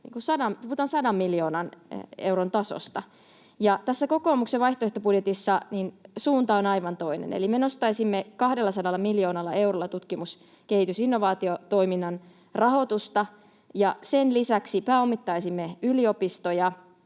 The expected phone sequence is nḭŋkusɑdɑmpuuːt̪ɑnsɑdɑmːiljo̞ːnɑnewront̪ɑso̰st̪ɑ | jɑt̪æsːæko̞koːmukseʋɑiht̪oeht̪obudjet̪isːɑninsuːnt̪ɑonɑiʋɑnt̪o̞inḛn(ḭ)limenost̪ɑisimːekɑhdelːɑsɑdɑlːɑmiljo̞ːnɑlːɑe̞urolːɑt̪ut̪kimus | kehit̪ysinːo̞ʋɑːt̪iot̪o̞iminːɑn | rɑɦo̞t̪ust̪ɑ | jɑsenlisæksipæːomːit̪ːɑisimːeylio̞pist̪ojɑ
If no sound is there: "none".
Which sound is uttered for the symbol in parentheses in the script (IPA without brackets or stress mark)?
ḛ